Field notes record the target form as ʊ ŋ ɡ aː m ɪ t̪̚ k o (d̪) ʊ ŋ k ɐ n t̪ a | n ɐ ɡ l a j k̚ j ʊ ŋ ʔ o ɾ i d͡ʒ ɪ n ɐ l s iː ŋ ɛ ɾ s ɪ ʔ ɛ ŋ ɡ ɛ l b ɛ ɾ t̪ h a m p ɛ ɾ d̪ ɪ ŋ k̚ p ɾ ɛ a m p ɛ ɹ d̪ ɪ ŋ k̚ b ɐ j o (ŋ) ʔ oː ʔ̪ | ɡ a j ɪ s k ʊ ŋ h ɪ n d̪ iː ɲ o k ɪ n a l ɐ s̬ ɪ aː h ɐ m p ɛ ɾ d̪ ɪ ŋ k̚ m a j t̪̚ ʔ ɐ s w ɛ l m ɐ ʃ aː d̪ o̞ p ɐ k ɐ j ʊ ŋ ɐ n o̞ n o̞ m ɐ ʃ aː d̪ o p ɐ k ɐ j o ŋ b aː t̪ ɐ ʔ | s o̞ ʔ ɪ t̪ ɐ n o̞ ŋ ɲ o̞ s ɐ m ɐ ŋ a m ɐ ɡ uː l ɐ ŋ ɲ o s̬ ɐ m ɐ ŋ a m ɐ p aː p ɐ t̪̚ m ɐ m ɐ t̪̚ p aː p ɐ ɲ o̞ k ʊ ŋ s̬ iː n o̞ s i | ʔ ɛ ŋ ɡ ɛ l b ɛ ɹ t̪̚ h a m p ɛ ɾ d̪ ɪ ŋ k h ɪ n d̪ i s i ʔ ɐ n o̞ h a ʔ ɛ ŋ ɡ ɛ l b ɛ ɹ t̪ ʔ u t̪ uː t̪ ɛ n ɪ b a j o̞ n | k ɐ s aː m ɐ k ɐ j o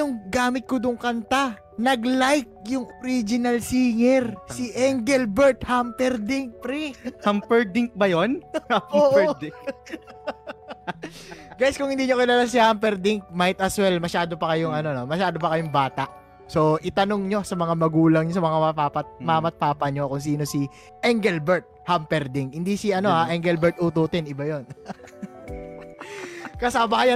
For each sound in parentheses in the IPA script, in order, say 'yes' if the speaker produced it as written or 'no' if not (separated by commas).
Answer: yes, no